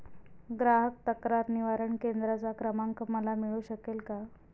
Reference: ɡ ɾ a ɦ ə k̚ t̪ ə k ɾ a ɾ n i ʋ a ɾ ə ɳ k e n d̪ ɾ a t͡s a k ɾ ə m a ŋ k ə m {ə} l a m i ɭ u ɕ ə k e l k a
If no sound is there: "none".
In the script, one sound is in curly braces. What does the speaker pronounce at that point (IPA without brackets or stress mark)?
ə